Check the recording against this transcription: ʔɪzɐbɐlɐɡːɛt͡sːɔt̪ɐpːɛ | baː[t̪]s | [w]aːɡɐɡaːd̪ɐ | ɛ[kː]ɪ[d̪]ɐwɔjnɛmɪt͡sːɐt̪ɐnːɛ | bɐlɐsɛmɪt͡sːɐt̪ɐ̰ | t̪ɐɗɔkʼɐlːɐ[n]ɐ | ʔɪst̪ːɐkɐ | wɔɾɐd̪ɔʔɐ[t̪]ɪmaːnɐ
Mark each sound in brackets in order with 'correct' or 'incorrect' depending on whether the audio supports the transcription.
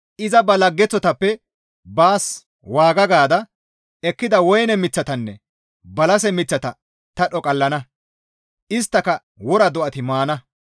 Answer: incorrect: none, correct, correct, correct, correct, correct

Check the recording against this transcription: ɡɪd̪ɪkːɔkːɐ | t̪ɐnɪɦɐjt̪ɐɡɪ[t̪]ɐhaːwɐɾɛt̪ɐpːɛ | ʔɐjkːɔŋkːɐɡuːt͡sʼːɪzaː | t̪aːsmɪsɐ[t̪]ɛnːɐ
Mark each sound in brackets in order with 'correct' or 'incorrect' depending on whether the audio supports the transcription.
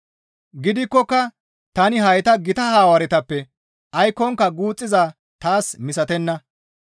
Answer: correct, correct

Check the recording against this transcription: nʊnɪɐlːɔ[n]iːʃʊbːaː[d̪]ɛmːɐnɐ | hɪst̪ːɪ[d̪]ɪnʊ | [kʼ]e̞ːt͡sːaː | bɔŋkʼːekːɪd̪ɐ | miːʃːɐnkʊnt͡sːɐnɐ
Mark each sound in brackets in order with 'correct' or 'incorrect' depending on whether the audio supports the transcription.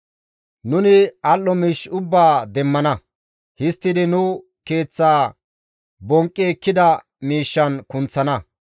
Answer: incorrect: m, correct, correct, incorrect: k

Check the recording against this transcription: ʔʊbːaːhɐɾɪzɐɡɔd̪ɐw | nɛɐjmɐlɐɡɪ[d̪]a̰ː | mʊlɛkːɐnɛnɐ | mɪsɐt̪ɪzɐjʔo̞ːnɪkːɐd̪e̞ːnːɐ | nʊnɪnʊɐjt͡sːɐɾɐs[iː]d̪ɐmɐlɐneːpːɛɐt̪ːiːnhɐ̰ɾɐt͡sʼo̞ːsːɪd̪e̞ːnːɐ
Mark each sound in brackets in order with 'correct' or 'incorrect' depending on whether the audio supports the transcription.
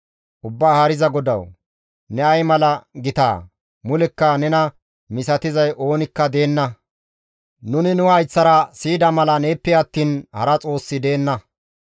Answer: incorrect: t̪, correct

